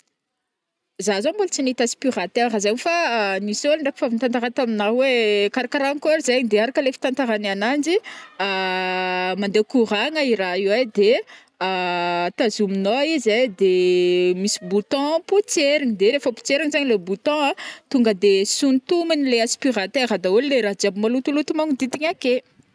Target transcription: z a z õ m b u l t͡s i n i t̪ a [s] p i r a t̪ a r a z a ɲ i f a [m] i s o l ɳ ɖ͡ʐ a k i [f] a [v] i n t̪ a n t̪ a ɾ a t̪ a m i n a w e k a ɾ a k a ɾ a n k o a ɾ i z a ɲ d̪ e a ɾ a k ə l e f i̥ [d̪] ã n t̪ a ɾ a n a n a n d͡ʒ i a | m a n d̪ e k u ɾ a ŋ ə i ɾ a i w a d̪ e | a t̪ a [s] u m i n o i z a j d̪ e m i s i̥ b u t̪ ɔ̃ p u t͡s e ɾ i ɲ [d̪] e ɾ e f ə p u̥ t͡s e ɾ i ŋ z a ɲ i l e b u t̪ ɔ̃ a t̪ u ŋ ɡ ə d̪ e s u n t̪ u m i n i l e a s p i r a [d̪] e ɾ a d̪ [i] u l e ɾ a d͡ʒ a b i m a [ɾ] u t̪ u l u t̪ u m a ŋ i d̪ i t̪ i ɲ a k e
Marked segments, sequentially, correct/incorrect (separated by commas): correct, incorrect, correct, correct, incorrect, incorrect, correct, incorrect, incorrect, incorrect